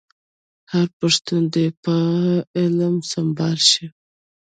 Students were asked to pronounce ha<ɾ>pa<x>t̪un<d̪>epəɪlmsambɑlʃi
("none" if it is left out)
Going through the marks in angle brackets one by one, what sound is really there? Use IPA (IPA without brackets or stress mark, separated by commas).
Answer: ɾ, ʂ, d̪